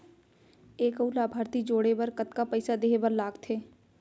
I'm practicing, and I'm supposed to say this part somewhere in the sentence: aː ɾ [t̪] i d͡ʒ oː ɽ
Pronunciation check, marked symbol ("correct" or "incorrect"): correct